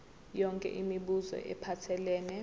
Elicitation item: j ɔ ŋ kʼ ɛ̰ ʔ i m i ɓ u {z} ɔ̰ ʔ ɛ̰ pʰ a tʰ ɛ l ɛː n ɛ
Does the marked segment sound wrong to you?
no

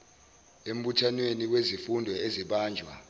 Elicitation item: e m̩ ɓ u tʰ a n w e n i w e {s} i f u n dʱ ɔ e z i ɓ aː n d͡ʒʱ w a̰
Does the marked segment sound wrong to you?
yes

